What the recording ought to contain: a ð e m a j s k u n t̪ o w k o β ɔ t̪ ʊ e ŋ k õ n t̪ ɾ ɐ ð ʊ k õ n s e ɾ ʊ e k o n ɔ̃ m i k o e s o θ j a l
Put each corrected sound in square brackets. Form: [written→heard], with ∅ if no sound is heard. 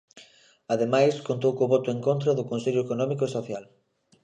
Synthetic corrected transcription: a ð e m a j s k [u→o] n t̪ o w k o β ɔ t̪ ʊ e ŋ k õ n t̪ ɾ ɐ ð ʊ k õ n s e [ɾ→ʎ] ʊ e k o n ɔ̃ m i k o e s o θ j a l